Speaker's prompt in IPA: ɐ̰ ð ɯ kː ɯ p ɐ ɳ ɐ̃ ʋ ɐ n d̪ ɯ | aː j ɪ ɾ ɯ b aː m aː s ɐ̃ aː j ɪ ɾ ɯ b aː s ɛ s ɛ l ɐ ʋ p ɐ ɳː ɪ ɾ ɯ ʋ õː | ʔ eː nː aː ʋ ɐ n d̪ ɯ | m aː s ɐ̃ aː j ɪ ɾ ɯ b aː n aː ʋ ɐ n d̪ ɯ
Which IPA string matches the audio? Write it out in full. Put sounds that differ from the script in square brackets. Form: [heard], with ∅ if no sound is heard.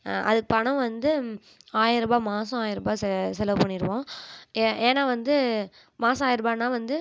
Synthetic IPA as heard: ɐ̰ ð ɯ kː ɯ p ɐ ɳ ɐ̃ ʋ ɐ n d̪ ɯ | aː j ɪ ɾ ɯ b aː m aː s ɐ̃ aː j ɪ ɾ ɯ b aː s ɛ s ɛ l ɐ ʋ p ɐ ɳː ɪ ɾ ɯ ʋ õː | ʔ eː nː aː ʋ ɐ n d̪ ɯ | m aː s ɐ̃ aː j ɪ ɾ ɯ b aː n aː ʋ ɐ n d̪ ɯ